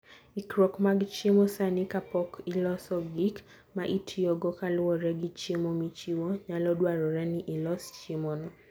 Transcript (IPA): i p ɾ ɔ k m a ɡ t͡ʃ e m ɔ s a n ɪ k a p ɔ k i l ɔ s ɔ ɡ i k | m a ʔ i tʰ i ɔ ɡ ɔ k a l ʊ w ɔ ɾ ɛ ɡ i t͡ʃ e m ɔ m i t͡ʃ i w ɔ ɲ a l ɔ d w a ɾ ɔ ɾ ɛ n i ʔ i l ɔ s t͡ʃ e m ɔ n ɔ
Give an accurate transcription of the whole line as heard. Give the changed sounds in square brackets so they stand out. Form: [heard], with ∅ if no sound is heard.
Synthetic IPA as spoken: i [k] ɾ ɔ k m a ɡ t͡ʃ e m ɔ s a n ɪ k a p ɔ k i l ɔ s ɔ ɡ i k | m a ʔ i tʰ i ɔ ɡ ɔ k a l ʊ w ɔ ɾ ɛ ɡ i t͡ʃ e m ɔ m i t͡ʃ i w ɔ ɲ a l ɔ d w a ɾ ɔ ɾ ɛ n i ʔ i l ɔ s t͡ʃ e m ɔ n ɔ